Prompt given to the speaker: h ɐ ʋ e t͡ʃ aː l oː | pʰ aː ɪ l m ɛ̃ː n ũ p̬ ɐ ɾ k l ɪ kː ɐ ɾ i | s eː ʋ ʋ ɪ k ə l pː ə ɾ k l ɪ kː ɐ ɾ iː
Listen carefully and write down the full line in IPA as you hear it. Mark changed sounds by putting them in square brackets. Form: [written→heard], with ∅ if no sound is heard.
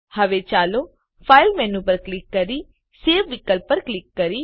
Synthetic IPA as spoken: h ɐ ʋ e t͡ʃ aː l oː | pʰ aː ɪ l m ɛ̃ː n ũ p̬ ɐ ɾ k l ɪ kː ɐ ɾ i | s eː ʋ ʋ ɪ k ə l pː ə ɾ k l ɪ kː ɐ ɾ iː